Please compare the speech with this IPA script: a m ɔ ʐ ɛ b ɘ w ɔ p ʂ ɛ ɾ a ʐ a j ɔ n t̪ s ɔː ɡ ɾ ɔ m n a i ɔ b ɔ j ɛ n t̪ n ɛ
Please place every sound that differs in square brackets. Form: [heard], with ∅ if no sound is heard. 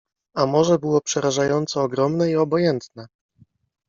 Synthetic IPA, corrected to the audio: a m ɔ ʐ ɛ b ɘ w ɔ p ʂ ɛ ɾ a ʐ a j ɔ n t̪ s ɔː ɡ ɾ ɔ m n [ɛ] i ɔ b ɔ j ɛ n t̪ n ɛ